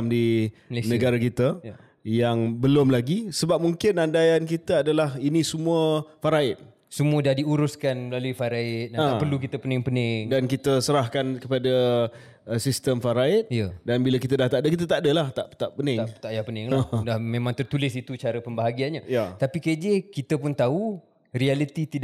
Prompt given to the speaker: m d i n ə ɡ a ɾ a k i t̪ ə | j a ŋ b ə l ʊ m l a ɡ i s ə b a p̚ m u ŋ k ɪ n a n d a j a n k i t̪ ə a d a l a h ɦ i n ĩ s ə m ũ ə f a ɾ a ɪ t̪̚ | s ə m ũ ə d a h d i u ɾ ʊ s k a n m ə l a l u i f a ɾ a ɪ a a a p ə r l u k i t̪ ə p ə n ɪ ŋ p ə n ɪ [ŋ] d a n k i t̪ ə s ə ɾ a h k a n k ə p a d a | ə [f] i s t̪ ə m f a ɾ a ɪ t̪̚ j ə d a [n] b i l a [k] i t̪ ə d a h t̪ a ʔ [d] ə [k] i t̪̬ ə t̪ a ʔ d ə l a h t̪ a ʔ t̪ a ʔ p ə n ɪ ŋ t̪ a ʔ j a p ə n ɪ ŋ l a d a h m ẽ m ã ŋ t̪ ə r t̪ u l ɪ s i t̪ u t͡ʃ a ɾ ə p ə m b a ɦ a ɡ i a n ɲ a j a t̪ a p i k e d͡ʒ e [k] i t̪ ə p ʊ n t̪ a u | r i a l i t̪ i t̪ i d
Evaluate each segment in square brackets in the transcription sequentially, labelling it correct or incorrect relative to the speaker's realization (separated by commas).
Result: correct, incorrect, correct, correct, correct, correct, correct